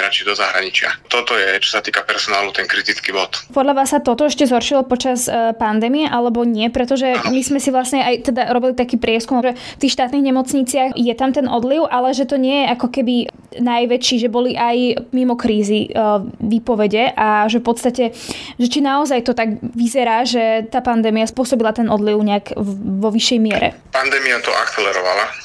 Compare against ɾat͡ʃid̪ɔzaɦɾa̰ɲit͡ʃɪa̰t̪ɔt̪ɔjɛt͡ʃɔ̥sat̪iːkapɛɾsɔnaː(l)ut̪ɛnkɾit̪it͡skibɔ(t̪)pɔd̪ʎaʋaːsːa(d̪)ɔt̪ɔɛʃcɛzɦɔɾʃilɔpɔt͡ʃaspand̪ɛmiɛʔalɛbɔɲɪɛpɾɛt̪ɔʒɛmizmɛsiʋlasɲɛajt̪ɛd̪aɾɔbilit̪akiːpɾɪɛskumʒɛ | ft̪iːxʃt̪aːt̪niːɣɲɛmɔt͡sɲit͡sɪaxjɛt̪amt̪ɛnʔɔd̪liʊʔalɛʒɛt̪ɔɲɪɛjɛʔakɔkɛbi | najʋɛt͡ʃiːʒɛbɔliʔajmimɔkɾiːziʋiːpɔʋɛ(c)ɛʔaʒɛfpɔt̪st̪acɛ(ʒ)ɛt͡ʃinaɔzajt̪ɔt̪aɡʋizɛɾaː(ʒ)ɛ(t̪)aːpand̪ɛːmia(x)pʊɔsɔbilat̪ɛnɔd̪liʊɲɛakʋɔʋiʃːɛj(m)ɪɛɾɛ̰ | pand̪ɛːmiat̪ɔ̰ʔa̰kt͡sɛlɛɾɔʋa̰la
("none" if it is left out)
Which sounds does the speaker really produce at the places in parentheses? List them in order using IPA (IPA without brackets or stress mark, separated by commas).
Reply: l, t̪, t̪, ɟ, ʒ, ʒ, t̪, s, m